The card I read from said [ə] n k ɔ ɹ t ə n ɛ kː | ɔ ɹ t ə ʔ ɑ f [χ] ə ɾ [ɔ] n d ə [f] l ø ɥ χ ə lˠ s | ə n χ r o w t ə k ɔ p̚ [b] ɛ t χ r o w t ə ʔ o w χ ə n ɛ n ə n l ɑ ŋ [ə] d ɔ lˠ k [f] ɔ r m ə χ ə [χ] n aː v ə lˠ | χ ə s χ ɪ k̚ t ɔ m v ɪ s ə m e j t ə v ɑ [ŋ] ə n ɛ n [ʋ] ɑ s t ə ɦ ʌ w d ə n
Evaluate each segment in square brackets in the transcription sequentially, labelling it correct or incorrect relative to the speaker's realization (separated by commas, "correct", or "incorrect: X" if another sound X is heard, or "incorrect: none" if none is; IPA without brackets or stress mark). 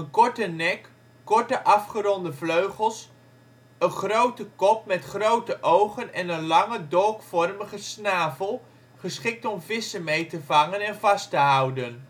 correct, correct, correct, incorrect: v, incorrect: m, correct, correct, incorrect: s, correct, incorrect: v